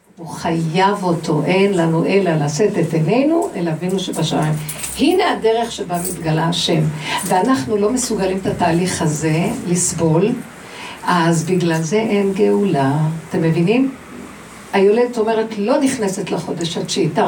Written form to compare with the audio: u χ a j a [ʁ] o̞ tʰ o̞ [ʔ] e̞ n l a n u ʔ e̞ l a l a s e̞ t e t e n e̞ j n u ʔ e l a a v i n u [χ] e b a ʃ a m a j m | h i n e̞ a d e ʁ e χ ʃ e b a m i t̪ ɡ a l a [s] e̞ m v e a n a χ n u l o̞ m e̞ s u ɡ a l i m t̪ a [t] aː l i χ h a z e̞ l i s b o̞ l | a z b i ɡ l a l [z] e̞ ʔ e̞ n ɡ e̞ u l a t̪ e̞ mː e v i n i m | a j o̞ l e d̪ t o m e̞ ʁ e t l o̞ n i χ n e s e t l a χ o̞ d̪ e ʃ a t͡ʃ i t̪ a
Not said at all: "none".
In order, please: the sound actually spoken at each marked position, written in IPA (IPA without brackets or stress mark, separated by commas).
v, ʔ, ʃ, ʃ, t, z